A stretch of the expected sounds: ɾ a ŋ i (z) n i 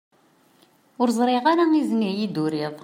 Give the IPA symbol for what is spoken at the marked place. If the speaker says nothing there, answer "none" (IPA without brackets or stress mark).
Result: z